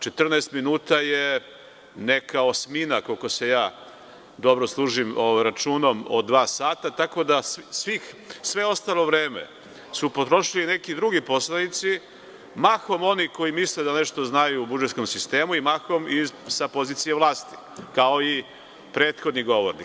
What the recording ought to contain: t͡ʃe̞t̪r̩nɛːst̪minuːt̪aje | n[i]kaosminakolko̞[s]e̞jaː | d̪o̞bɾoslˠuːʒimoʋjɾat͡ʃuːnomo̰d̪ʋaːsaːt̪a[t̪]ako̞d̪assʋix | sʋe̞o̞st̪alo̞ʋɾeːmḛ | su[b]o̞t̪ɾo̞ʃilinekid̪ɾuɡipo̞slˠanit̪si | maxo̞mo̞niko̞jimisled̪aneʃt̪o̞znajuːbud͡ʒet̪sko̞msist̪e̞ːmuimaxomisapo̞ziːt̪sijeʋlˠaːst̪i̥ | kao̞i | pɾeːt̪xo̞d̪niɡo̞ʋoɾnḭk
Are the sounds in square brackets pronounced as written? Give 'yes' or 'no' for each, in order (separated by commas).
no, yes, yes, no